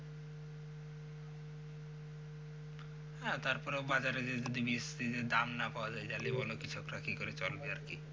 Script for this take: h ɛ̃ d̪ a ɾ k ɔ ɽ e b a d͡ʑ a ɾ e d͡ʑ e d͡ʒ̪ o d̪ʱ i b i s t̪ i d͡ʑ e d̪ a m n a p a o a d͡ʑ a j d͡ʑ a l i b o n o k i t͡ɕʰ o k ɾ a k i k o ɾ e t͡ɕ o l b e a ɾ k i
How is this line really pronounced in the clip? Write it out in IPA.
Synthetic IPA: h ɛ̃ t̪ a ɾ p ɔ ɾ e b a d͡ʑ a ɾ e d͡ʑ e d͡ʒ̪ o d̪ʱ i b i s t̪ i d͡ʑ e d̪ a m n a p a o a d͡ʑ a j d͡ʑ a l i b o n o k i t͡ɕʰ o k ɾ a k i k o ɾ e t͡ɕ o l b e a ɾ k i